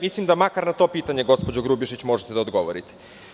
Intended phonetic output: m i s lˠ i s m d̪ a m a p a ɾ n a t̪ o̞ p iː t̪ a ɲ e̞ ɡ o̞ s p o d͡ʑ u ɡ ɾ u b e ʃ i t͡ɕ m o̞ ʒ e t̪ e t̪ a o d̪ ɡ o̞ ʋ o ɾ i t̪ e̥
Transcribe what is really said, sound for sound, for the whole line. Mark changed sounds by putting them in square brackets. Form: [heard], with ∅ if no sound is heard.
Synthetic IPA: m i s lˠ i [∅] m d̪ a m a [k] a ɾ n a t̪ o̞ p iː t̪ a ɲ e̞ ɡ o̞ s p o d͡ʑ [o] ɡ ɾ u b [i] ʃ i t͡ɕ m o̞ ʒ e t̪ e [d̪] a o d̪ ɡ o̞ ʋ o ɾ i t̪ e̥